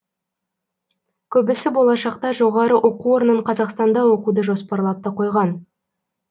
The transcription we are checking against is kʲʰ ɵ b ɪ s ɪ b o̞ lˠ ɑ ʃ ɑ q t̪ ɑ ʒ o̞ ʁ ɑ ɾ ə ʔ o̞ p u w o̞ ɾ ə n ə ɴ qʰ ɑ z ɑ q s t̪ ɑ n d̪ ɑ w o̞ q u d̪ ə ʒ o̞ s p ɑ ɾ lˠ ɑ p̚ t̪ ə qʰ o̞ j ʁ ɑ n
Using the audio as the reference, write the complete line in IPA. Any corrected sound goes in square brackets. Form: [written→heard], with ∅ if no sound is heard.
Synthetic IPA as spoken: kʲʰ ɵ b ɪ s ɪ b o̞ lˠ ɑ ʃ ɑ q t̪ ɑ ʒ o̞ ʁ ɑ ɾ ə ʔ o̞ [p→q] u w o̞ ɾ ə n ə ɴ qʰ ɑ z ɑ q s t̪ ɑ n d̪ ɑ w o̞ q u d̪ ə ʒ o̞ s p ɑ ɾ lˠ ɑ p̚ t̪ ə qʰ o̞ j ʁ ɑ n

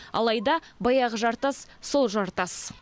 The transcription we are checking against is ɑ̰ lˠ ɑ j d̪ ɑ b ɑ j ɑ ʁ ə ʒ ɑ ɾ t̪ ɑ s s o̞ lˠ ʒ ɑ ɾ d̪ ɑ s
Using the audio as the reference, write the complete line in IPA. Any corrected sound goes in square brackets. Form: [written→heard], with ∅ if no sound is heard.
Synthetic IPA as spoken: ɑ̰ lˠ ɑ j d̪ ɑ b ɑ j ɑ ʁ ə ʒ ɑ ɾ t̪ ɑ s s o̞ lˠ ʒ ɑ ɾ [d̪→t̪] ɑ s

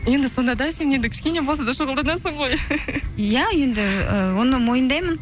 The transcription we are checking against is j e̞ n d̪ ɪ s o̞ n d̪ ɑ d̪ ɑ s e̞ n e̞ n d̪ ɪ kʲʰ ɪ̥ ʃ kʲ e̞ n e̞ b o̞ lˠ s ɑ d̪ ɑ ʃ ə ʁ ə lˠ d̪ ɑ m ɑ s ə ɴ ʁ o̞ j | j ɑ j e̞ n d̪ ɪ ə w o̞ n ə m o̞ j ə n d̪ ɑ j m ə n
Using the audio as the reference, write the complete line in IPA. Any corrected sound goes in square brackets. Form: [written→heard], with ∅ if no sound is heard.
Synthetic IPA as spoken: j e̞ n d̪ ɪ s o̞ n d̪ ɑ d̪ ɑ s e̞ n e̞ n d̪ ɪ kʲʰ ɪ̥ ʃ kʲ e̞ n e̞ b o̞ lˠ s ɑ d̪ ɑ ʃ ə ʁ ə lˠ d̪ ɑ [m→n] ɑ s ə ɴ ʁ o̞ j | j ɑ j e̞ n d̪ ɪ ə w o̞ n ə m o̞ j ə n d̪ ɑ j m ə n

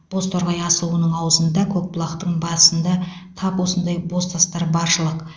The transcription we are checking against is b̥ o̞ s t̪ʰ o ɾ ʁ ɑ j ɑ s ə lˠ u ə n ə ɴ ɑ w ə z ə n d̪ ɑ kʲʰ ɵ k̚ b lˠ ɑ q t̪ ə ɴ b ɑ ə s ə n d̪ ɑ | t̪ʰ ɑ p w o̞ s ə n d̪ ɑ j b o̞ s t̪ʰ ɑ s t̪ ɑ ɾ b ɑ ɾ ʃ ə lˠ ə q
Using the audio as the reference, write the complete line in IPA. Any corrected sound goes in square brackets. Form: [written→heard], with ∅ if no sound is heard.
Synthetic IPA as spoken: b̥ o̞ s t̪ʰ o ɾ ʁ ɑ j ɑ s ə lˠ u ə n ə ɴ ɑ w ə z ə n d̪ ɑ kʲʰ ɵ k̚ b lˠ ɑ q t̪ ə ɴ b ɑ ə s ə n d̪ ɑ | t̪ʰ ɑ p w o̞ s ə n d̪ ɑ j b o̞ s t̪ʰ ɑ s t̪ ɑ ɾ b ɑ ɾ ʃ ə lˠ ə q

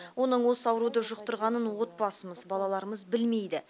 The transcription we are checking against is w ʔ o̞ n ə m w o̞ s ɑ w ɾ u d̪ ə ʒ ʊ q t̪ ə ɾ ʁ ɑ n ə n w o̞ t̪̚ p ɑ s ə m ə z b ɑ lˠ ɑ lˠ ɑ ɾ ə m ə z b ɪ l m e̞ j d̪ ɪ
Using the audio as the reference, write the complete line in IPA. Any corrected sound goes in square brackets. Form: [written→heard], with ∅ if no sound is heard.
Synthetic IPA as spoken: w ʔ o̞ n ə [m→ɴ] w o̞ s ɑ w ɾ u d̪ ə ʒ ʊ q t̪ ə ɾ ʁ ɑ n ə n w o̞ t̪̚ p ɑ s ə m ə z b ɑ lˠ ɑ lˠ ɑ ɾ ə m ə z b ɪ l m e̞ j d̪ ɪ

